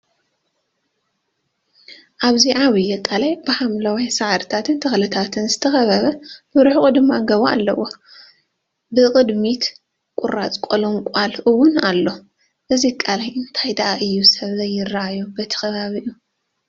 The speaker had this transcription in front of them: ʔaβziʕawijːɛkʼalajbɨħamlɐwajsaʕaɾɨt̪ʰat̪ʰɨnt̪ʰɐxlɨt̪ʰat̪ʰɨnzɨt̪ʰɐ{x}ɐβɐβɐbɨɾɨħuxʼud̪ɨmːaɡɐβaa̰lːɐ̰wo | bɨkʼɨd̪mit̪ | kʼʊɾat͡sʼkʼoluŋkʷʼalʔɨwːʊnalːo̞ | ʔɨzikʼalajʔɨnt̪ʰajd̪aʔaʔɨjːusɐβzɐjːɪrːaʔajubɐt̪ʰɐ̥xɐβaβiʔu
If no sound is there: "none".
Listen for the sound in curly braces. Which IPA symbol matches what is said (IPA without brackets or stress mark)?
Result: x